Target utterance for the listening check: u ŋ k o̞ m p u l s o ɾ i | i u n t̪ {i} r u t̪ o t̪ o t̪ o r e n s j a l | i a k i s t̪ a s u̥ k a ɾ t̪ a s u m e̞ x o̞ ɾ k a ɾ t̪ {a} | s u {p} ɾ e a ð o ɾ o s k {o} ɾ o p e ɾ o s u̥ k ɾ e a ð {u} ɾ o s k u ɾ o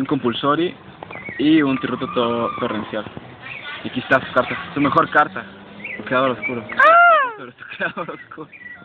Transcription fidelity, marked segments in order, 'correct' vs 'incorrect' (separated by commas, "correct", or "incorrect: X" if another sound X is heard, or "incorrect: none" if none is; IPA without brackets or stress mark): correct, correct, incorrect: k, incorrect: u, incorrect: o